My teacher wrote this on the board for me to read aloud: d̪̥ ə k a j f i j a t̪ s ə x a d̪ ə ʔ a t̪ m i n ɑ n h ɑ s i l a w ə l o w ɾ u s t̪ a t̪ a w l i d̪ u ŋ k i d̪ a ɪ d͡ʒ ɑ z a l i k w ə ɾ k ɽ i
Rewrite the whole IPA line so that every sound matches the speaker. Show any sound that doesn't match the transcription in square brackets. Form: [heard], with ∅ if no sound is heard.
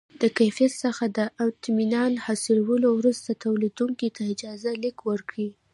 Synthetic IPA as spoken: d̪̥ ə k a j f i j a t̪ s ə x a d̪ ə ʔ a t̪ m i n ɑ n h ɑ s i l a w ə l o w ɾ u s t̪ a t̪ a w l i d̪ u ŋ k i [t̪] a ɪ d͡ʒ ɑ z a l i k w ə ɾ k ɽ i